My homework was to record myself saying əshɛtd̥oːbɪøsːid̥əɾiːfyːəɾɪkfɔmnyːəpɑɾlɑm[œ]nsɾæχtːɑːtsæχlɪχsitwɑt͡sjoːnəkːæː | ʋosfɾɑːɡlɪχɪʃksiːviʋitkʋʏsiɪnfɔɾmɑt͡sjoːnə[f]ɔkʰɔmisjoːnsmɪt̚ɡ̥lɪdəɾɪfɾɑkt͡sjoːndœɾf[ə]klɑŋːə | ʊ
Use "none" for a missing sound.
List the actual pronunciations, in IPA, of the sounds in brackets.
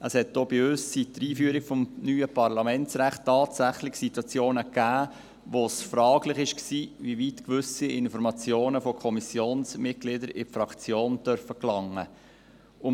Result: ɛ, f, ə

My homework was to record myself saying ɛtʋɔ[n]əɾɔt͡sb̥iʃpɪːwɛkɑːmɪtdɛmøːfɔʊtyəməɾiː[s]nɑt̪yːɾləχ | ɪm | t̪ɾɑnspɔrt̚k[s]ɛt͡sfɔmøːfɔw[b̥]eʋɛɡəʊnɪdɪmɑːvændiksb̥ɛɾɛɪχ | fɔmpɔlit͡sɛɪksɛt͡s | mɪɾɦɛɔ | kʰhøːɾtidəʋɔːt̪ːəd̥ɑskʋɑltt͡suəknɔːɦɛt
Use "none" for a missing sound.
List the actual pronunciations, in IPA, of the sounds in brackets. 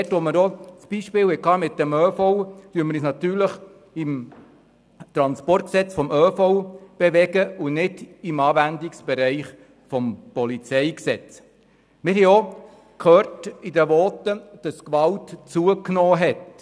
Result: m, s, s, b̥

